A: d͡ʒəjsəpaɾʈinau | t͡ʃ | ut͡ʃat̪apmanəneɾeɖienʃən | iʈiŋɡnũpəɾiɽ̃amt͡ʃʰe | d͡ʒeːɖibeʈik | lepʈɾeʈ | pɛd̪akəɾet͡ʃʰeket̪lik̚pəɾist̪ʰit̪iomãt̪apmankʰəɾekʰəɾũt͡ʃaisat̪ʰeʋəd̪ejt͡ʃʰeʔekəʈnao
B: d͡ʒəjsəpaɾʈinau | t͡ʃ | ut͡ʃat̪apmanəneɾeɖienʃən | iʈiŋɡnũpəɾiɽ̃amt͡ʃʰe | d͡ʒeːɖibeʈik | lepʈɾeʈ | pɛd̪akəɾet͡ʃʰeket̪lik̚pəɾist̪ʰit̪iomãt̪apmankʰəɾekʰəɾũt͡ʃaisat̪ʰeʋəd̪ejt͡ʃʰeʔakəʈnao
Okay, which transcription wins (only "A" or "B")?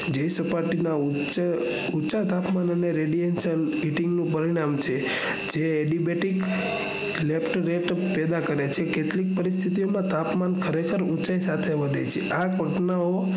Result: B